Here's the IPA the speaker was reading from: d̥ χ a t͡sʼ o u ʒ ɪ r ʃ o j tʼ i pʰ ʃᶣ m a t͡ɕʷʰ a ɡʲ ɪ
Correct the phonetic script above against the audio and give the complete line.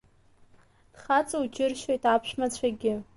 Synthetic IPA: d̥ χ a t͡sʼ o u d͡ʒ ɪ r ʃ o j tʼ a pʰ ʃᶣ m a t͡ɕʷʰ a ɡʲ ɪ